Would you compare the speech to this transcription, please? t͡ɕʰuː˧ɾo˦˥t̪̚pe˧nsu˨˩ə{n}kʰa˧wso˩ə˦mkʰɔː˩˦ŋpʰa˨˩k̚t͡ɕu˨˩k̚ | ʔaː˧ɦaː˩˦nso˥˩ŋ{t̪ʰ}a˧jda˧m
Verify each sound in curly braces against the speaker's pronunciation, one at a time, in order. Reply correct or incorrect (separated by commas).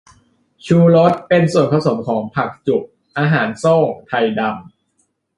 correct, correct